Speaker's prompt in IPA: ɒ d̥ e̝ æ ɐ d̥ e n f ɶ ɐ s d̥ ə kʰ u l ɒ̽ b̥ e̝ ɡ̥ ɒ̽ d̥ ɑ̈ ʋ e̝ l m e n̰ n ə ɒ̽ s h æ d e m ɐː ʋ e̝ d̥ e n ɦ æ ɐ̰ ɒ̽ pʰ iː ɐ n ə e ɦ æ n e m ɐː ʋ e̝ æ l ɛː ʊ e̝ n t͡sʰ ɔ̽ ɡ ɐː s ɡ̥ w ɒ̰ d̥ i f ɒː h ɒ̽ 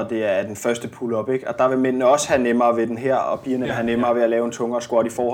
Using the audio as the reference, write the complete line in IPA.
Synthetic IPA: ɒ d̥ e̝ æ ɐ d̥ e n f ɶ ɐ s d̥ ə pʰ u l ɒ̽ b̥ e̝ ɡ̥ ɒ̽ d̥ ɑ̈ ʋ e̝ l m e n̰ n ə ɒ̽ s h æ n e m ɐː ʋ e̝ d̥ e n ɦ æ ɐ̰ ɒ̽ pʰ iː ɐ n ə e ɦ æ n e m ɐː ʋ e̝ æ l ɛː ʊ e̝ n t͡sʰ ɔ̽ ŋ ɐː s ɡ̥ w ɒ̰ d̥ i f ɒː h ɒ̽